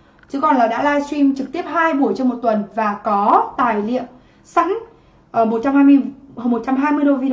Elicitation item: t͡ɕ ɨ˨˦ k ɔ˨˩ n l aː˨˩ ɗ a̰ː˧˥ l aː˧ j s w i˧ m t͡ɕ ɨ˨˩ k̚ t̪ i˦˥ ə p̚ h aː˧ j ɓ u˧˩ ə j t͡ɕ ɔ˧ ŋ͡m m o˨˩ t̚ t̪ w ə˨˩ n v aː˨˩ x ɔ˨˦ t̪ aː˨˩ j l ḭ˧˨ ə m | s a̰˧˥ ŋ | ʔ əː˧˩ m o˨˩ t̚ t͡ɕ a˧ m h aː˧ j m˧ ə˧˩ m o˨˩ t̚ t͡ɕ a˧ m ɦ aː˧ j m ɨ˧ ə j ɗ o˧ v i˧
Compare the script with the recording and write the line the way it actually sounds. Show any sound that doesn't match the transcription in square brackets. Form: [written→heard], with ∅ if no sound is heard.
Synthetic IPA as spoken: t͡ɕ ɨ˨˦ k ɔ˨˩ n l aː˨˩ ɗ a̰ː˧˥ l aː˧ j s w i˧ m t͡ɕ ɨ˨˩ k̚ t̪ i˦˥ ə p̚ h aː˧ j ɓ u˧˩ ə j t͡ɕ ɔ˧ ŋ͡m m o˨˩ t̚ t̪ w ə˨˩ n v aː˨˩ [x→k] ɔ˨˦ t̪ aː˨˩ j l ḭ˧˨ ə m | s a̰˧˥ ŋ | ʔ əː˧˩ m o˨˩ t̚ t͡ɕ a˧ m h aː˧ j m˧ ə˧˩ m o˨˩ t̚ t͡ɕ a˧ m ɦ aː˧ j m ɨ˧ ə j ɗ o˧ v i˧